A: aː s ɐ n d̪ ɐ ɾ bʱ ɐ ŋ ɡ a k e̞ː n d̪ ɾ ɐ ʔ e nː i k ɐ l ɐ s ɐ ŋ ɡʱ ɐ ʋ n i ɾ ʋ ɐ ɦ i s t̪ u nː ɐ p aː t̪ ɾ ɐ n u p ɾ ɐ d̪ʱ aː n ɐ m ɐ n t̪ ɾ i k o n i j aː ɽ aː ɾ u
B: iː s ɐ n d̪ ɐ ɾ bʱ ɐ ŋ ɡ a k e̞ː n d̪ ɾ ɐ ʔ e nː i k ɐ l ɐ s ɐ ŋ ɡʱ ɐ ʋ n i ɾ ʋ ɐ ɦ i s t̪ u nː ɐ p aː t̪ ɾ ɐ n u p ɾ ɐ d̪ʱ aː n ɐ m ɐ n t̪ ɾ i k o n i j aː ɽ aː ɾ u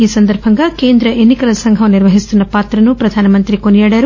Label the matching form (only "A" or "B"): B